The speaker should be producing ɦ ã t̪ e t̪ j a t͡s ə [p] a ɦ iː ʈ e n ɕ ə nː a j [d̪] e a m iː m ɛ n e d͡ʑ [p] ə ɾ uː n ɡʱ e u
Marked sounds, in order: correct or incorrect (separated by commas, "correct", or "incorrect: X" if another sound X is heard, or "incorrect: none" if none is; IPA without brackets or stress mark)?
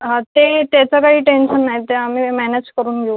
incorrect: k, incorrect: t̪, incorrect: k